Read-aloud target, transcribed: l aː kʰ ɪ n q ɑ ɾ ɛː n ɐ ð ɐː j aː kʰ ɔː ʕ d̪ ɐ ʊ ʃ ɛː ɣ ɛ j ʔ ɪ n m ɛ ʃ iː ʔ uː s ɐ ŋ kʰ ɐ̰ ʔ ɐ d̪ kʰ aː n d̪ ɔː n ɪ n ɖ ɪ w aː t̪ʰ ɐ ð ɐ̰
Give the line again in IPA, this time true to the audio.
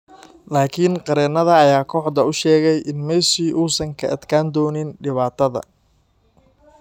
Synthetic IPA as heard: l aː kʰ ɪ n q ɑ ɾ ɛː n ɐ ð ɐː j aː kʰ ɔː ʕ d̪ ɐ ʊ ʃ ɛː ɣ ɛ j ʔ ɪ n m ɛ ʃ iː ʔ uː s ɐ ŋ kʰ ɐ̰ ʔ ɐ d̪ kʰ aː n d̪ ɔː n ɪ n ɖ ɪ β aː t̪ʰ ɐ ð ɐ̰

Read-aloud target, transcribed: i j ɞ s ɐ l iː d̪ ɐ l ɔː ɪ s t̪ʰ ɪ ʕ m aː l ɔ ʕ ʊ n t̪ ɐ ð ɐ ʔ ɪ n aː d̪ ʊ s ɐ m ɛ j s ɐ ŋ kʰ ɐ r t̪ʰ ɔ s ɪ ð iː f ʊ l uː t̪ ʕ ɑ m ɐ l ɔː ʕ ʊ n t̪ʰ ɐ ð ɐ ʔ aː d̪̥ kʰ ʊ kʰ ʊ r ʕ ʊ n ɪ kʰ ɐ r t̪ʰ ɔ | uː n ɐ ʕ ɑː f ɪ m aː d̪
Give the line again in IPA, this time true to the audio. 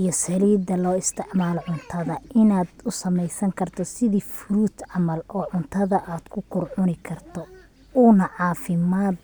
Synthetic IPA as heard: i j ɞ s ɐ l iː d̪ ɐ l ɔː ɪ s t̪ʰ ɪ ʕ m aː l ɔ ʕ ʊ n t̪ʰ ɐ ð ɐ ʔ ɪ n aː d̪ ʊ s ɐ m ɛ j s ɐ ŋ kʰ ɐ r t̪ʰ ɔ s ɪ ð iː f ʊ ɾ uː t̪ ʕ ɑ m ɐ l ɔː ʕ ʊ n t̪ʰ ɐ ð ɐ ʔ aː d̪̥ kʰ ʊ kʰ ʊ r ʕ ʊ n ɪ kʰ ɐ r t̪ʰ ɔ | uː n ɐ ʕ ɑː f ɪ m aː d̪

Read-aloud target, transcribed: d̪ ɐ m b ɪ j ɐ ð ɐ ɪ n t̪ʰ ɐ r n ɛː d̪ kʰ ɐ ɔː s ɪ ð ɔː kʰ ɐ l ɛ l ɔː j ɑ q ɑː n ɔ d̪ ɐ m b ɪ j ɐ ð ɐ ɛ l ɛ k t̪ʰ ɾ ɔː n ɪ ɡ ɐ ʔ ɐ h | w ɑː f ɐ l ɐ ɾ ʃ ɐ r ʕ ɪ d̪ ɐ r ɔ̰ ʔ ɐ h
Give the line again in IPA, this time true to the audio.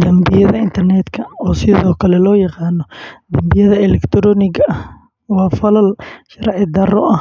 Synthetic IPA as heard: d̪ ɐ m b ɪ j ɐ ð ɐ ɪ n t̪ʰ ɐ r n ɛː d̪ kʰ ɐ ɔː s ɪ ð ɔː kʰ ɐ l ɛ l ɔː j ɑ q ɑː n ɔ d̪ ɐ m b ɪ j ɐ ð ɐ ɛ l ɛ k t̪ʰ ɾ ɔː n ɪ ɡ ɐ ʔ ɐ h | w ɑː f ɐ l ɐ l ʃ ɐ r ʕ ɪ d̪ ɐ r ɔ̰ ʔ ɐ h

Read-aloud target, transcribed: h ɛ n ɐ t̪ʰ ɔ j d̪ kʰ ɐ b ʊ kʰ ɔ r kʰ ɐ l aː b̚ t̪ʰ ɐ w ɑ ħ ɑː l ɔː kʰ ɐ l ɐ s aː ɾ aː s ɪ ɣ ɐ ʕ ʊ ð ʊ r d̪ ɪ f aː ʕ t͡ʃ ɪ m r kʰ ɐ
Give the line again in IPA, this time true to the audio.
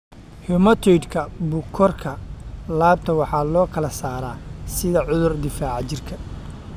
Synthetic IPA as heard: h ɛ m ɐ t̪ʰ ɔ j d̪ kʰ ɐ b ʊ kʰ ɔ r kʰ ɐ l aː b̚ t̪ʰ ɐ w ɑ ħ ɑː l ɔː kʰ ɐ l ɐ s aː ɾ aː s ɪ ð ɐ ʕ ʊ ð ʊ r d̪ ɪ f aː ʕ t͡ʃ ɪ r kʰ ɐ

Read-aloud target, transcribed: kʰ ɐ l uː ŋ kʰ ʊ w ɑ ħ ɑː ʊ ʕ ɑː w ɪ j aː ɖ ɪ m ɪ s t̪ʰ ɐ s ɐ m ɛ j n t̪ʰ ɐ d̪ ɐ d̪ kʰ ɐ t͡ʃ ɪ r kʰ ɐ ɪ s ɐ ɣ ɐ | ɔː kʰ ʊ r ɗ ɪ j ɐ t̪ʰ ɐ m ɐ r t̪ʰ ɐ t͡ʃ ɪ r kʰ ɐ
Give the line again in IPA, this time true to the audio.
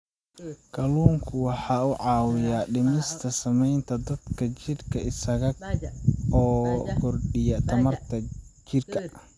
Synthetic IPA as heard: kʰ ɐ l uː ŋ kʰ ʊ w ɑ ħ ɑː ʊ ʕ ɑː w ɪ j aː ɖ ɪ m ɪ s t̪ʰ ɐ s ɐ m ɛ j n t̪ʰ ɐ d̪ ɐ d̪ kʰ ɐ t͡ʃ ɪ r kʰ ɐ ɪ s ɐ ɣ ɐ | ɔː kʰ ʊ r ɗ ɪ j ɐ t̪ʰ ɐ m ɐ r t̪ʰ ɐ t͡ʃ ɪ r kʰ ɐ

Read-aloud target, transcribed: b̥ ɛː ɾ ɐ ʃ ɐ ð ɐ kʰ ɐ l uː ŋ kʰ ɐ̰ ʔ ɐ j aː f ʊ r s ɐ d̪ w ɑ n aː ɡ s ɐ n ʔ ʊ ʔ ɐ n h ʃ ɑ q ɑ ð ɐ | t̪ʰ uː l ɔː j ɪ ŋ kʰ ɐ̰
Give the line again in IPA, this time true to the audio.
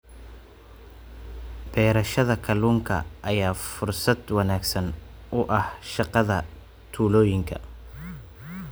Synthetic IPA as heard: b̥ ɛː ɾ ɐ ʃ ɐ ð ɐ kʰ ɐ l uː ŋ kʰ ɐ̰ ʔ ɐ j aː f ʊ r s ɐ d̪ w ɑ n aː ɡ s ɐ n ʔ ʊ ʔ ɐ h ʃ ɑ q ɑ ð ɐ | t̪ʰ uː l ɔː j ɪ ŋ kʰ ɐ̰

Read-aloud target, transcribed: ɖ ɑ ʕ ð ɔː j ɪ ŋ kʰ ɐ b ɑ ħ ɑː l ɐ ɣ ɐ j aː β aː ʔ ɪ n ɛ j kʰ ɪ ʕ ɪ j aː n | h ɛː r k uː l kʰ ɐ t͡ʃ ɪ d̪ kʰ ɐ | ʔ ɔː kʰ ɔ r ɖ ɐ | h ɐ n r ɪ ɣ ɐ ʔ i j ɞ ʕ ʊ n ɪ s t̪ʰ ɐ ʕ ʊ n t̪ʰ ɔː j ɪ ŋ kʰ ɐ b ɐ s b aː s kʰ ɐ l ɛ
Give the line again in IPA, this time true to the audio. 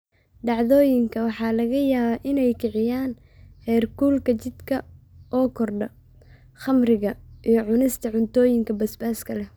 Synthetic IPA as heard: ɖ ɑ ʕ ð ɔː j ɪ ŋ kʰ ɐ w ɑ ħ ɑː l ɐ ɣ ɐ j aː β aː ʔ ɪ n ɛ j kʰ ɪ ʕ ɪ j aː n | h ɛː r k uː l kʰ ɐ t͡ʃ ɪ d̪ kʰ ɐ | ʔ ɔː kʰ ɔ r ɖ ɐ | χ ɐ m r ɪ ɣ ɐ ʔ i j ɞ ʕ ʊ n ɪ s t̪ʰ ɐ ʕ ʊ n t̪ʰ ɔː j ɪ ŋ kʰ ɐ b ɐ s b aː s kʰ ɐ l ɛ

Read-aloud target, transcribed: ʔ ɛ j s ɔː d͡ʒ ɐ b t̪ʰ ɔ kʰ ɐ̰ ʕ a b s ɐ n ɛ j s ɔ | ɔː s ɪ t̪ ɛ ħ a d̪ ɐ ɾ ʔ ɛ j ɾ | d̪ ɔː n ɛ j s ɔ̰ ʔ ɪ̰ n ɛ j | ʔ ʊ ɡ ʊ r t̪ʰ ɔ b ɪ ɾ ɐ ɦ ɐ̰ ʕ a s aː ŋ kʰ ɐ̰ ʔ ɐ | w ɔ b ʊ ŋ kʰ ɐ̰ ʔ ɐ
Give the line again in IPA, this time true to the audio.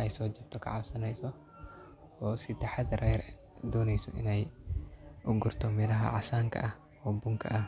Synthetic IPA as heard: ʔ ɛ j s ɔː d͡ʒ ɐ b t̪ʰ ɔ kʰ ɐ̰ ʕ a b s ɐ n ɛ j s ɔ | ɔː s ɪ t̪ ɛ ħ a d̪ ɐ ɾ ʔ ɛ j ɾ | d̪ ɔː n ɛ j s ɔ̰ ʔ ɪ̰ n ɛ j | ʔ ʊ ɡ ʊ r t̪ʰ ɔ m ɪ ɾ ɐ ɦ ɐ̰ ʕ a s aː ŋ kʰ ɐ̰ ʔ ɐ | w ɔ b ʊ ŋ kʰ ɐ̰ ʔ ɐ

